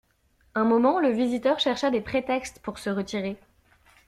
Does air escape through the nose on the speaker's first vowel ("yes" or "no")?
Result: yes